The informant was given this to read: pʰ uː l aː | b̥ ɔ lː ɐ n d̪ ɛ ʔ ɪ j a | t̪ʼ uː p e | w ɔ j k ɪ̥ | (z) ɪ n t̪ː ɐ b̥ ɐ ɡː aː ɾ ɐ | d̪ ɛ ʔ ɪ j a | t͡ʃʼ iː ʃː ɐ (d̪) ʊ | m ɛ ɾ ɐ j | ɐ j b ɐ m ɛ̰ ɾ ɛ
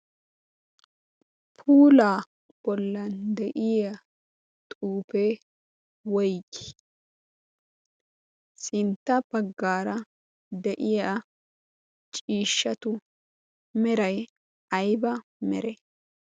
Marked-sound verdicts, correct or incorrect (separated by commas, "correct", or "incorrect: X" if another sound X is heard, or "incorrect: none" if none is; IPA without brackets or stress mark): incorrect: s, incorrect: t̪